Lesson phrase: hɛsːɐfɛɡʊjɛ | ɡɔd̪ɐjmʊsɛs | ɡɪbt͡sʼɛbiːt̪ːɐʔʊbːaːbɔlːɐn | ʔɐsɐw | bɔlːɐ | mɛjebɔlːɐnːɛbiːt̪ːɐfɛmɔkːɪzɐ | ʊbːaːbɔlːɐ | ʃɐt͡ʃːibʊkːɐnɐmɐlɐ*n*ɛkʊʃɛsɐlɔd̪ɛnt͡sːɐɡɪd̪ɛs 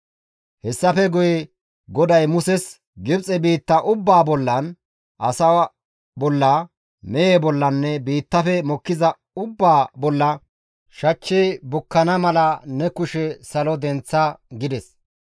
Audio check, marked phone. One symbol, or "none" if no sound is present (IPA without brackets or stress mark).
n